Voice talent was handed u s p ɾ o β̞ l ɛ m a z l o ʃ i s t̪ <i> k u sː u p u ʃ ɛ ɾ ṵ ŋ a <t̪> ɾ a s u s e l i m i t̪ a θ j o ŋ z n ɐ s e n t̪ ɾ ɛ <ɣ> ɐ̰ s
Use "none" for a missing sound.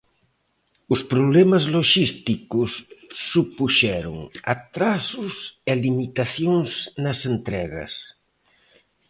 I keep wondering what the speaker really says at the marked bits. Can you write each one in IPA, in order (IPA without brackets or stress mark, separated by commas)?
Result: i, t̪, ɣ